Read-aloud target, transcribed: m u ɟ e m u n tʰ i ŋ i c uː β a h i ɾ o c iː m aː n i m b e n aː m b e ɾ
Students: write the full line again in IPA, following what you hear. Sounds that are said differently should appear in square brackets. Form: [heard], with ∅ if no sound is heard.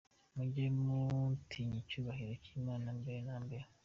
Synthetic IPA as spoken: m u ɟ e m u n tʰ i [ɲ] i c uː β a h i ɾ o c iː m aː n [a] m b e n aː m b e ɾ